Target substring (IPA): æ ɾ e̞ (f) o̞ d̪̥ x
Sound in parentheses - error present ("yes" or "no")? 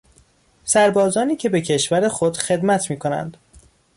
yes